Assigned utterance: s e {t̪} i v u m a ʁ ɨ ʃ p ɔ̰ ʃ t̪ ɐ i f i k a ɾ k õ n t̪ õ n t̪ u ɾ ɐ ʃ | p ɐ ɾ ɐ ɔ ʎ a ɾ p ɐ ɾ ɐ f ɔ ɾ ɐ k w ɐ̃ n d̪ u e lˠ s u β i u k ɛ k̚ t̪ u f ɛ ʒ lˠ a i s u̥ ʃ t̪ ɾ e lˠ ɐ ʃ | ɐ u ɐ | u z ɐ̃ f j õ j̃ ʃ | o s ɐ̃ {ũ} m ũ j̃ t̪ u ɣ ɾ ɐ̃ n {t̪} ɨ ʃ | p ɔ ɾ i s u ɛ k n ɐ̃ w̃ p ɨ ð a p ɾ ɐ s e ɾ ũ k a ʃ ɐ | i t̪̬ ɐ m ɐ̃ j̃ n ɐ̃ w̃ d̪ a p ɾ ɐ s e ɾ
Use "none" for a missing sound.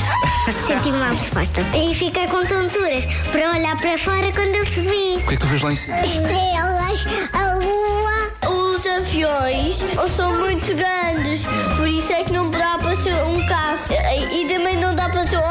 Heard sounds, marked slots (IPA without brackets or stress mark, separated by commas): t̪, w̃, d̪